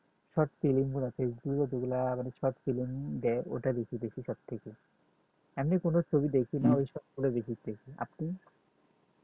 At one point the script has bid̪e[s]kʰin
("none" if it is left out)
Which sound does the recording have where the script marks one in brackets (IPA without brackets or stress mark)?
none